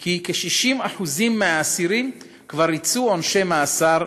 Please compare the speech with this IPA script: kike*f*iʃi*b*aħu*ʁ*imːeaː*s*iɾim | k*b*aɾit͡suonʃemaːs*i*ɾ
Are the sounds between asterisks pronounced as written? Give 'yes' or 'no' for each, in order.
no, no, no, yes, no, no

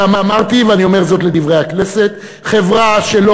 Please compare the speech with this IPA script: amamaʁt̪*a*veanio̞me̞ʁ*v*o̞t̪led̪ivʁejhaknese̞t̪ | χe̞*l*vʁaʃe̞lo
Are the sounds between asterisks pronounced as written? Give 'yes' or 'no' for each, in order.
no, no, no

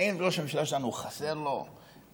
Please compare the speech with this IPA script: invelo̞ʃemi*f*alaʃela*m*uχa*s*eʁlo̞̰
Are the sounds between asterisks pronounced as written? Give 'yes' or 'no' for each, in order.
no, no, yes

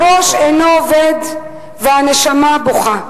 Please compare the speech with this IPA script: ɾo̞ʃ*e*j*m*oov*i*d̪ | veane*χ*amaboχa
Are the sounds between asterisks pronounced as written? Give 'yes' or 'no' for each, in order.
yes, no, no, no

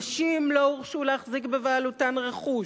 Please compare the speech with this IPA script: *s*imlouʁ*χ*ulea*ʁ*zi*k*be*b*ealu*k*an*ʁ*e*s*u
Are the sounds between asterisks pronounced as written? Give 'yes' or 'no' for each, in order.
no, no, no, yes, no, no, yes, no

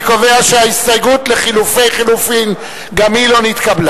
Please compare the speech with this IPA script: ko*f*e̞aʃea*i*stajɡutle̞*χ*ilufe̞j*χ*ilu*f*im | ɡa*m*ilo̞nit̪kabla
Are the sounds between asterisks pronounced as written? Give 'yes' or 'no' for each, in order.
no, yes, yes, yes, yes, yes

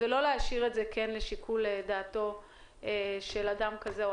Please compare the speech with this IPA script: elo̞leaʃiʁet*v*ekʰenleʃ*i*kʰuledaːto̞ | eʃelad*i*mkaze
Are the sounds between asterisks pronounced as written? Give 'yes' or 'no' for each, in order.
no, yes, no

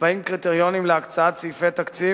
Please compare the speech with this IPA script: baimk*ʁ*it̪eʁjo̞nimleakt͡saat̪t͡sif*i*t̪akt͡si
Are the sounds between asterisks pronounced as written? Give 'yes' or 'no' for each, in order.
yes, no

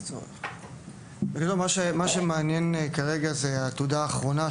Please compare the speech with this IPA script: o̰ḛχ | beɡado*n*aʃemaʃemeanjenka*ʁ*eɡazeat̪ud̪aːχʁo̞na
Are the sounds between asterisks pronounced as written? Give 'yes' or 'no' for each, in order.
no, yes

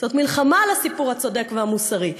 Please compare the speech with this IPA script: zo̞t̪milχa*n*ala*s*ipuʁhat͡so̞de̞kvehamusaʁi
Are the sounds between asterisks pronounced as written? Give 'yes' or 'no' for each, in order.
no, yes

